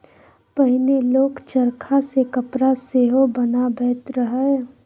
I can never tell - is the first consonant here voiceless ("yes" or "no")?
yes